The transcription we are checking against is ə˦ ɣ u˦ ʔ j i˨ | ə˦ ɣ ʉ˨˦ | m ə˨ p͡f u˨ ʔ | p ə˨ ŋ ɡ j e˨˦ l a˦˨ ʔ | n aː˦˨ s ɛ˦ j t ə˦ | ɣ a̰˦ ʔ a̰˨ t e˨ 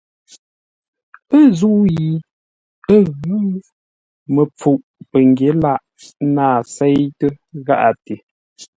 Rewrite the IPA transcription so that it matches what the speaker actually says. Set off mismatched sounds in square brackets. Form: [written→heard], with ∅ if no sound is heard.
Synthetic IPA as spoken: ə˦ [ɣ→z] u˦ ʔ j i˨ | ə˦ ɣ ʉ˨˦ | m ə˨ p͡f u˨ ʔ | p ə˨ ŋ ɡ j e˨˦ l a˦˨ ʔ | n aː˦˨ s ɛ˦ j t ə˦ | ɣ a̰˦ ʔ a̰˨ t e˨